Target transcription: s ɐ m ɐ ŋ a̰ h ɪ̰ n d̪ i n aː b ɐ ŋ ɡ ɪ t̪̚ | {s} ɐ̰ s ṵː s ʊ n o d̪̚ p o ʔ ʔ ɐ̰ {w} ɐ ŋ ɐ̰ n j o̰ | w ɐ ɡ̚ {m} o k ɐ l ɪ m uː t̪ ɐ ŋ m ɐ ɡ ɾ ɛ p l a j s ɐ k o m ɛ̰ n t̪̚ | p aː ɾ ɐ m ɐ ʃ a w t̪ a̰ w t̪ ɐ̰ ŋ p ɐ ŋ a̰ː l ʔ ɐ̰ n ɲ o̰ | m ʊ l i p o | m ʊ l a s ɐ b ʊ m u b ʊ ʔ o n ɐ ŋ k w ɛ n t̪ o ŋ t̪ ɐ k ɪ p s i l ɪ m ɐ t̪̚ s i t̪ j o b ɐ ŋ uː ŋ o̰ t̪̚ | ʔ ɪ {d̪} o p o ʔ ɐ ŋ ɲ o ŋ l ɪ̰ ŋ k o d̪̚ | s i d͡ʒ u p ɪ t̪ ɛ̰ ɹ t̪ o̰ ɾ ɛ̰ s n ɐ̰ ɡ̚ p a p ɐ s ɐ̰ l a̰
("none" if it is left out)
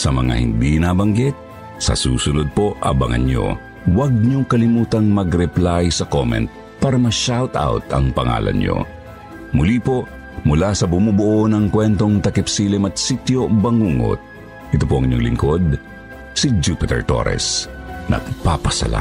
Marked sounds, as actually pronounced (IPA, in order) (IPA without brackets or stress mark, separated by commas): s, b, ɲ, t̪